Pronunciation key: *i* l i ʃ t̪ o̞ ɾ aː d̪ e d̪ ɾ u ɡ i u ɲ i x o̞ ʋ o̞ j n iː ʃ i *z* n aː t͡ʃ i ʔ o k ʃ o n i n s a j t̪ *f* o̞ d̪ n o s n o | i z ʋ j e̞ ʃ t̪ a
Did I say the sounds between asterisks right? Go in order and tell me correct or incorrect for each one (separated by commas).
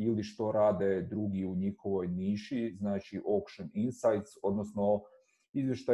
correct, correct, incorrect